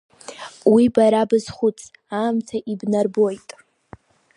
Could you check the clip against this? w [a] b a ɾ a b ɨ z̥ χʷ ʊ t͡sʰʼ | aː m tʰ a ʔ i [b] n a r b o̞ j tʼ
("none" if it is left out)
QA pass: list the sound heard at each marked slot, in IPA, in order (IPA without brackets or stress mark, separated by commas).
i, b